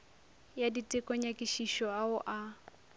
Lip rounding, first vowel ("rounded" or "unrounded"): unrounded